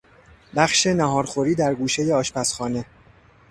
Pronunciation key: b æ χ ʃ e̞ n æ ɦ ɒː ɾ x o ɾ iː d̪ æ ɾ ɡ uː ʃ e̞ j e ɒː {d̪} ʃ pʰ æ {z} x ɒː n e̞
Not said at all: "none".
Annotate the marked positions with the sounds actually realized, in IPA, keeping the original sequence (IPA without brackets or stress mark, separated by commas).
none, s